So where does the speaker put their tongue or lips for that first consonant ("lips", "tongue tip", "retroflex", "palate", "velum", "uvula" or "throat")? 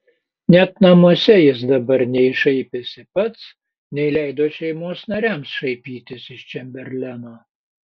tongue tip